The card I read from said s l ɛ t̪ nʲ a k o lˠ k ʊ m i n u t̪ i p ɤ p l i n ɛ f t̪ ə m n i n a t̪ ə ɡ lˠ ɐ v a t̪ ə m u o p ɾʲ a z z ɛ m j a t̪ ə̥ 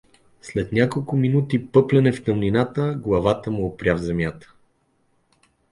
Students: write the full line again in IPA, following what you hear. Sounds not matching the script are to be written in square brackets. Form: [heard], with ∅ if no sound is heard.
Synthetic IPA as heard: s l ɛ t̪ nʲ a k o lˠ k ʊ m i n u t̪ i p ɤ p l [ɛ] n ɛ f t̪ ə m n i n a t̪ ə ɡ lˠ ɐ v a t̪ ə m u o p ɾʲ a [v] z ɛ m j a t̪ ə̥